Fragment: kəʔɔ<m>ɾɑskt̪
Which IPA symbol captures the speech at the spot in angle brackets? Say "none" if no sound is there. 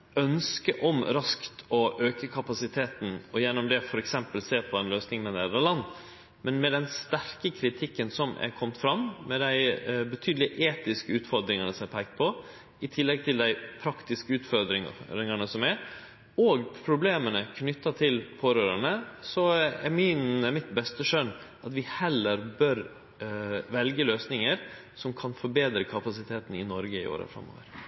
m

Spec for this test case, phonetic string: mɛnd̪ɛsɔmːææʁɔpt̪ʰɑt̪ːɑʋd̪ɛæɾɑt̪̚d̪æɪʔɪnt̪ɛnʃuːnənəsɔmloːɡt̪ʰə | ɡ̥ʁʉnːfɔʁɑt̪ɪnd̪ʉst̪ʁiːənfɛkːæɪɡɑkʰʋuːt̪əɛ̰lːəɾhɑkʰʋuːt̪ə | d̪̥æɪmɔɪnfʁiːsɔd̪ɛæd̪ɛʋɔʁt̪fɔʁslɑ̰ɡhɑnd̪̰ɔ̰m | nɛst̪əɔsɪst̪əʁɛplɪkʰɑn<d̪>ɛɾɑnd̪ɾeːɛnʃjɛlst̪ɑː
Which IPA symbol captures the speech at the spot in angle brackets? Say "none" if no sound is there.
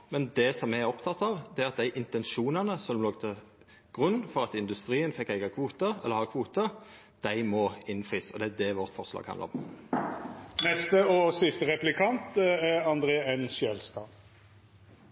t̪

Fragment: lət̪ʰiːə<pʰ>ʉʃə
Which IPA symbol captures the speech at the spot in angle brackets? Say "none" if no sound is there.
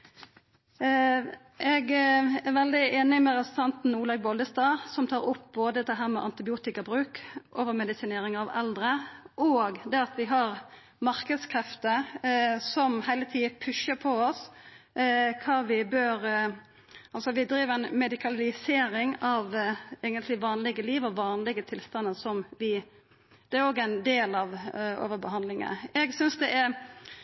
pʰ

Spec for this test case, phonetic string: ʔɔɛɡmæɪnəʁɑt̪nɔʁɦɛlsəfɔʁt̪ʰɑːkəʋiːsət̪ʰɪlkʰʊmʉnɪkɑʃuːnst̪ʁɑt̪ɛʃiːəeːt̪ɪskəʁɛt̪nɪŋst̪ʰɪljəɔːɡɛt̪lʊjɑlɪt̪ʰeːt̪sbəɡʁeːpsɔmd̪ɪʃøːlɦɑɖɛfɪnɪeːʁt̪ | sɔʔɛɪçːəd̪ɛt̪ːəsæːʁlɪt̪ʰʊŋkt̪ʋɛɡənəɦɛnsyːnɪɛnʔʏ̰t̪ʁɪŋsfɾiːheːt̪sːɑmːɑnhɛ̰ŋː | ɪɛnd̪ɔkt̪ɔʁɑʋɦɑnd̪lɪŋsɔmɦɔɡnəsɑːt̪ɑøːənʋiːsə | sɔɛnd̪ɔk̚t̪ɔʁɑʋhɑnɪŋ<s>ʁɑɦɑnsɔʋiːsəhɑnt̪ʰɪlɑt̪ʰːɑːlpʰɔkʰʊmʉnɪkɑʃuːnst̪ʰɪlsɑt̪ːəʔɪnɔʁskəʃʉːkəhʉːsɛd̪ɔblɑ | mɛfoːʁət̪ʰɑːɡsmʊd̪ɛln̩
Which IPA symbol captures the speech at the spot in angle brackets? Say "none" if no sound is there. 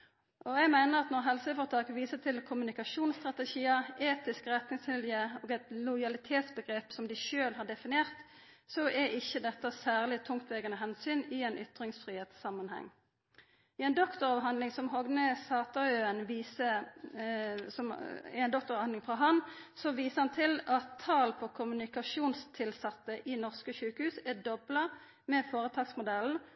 f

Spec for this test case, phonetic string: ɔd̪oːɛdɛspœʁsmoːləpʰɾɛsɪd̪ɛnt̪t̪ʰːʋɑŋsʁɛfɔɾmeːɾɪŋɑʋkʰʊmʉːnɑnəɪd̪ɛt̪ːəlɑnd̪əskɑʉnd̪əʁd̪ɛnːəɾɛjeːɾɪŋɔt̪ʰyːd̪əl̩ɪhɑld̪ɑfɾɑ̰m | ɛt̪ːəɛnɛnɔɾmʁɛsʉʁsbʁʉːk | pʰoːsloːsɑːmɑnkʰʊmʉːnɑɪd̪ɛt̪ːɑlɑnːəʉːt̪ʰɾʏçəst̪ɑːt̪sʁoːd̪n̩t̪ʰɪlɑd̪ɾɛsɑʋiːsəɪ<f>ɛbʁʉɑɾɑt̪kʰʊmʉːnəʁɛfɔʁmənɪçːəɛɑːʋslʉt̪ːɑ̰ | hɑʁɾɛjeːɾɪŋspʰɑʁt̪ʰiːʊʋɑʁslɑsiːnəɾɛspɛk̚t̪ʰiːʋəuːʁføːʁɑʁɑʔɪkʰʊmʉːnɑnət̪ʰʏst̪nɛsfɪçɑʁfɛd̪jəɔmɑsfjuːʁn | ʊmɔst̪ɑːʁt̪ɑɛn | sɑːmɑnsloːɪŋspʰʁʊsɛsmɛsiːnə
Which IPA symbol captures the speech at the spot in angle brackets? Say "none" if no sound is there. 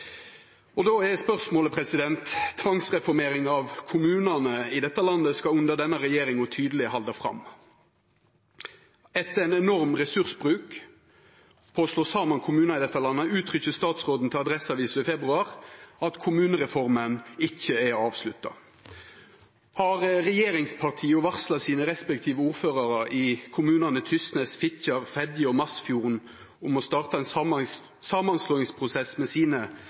f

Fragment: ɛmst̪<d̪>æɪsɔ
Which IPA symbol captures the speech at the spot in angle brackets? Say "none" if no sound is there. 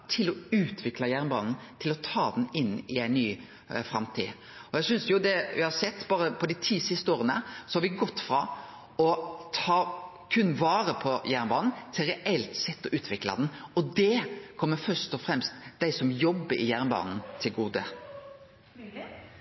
d̪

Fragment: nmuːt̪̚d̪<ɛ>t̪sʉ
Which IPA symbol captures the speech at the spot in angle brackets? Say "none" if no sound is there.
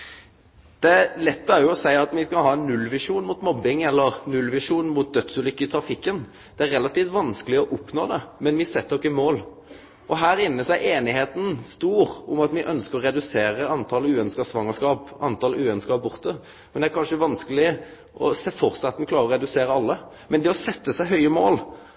œ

